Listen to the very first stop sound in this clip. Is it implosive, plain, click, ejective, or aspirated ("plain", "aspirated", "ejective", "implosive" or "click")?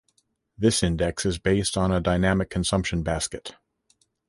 plain